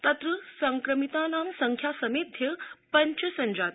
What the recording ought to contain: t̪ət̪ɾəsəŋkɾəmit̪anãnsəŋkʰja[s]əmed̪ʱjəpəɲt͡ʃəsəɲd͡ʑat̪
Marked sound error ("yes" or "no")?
no